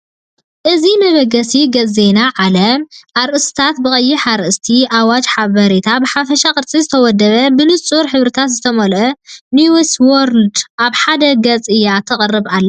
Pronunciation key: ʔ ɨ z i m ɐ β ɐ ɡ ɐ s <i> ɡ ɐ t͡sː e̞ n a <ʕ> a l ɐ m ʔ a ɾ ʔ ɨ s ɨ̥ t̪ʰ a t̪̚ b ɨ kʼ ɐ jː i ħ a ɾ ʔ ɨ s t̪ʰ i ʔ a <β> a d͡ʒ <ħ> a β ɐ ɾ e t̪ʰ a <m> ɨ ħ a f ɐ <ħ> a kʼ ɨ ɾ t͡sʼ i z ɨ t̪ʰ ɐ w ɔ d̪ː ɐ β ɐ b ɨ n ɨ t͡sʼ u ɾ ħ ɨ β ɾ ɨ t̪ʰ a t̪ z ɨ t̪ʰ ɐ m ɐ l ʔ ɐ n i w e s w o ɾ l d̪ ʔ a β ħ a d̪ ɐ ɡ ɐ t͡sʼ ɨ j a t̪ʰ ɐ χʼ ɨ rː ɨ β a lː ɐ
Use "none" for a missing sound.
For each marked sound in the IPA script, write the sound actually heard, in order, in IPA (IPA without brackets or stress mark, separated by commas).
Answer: i, ʕ, w, ħ, b, ʃ